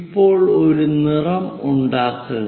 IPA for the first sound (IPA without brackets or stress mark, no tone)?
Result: pː